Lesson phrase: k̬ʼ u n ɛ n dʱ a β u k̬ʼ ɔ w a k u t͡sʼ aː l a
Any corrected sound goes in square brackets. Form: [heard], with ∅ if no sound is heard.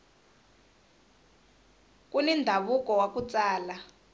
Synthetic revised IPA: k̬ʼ u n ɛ n dʱ a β u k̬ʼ ɔ w a k u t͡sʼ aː l a